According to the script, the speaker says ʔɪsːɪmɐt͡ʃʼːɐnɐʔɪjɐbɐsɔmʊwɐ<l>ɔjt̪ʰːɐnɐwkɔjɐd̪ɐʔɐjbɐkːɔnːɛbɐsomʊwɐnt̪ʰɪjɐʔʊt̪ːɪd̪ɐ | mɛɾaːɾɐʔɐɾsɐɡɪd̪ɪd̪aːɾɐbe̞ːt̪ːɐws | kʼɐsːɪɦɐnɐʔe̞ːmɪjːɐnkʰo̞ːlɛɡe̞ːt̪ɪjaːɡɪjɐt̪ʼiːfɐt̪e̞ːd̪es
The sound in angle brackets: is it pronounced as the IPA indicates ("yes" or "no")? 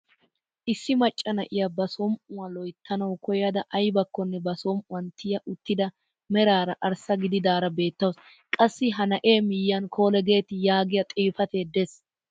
yes